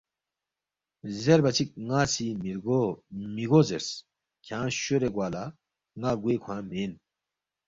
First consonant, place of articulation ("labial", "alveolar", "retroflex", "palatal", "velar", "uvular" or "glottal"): alveolar